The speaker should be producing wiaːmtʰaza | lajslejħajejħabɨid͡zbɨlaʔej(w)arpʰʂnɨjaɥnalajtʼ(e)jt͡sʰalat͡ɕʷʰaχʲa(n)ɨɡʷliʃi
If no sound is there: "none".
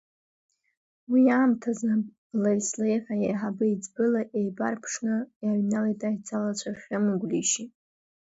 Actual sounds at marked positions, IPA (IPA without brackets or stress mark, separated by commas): b, a, m